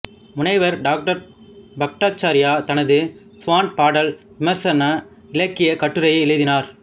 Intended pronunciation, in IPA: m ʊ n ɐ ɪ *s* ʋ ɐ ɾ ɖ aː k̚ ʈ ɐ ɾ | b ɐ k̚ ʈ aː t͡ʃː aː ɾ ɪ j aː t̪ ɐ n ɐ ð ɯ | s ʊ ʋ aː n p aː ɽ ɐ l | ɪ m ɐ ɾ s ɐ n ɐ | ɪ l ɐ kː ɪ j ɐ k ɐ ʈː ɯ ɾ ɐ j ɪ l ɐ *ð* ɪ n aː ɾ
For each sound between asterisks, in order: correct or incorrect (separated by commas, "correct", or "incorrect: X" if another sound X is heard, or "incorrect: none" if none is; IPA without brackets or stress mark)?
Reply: incorrect: none, correct